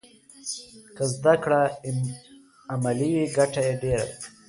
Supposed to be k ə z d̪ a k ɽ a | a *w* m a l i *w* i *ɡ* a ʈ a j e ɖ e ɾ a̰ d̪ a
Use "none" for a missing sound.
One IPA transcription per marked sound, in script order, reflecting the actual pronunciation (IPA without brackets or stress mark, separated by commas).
none, w, ɡ